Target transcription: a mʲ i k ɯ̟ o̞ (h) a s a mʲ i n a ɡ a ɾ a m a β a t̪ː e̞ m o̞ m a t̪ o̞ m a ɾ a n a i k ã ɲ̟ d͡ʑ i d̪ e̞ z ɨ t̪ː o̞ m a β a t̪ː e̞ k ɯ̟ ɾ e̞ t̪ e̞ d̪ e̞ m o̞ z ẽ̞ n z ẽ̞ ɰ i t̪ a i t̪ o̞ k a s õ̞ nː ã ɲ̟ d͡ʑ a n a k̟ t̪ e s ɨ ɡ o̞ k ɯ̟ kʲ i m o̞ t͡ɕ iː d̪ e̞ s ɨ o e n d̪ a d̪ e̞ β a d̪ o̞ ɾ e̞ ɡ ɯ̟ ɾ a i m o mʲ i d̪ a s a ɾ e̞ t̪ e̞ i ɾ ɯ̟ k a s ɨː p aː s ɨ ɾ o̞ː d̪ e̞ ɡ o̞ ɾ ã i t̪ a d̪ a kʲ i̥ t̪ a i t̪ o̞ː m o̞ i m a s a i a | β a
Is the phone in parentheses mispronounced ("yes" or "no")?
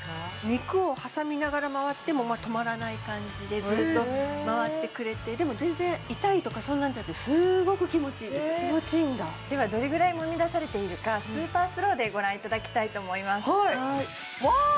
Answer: no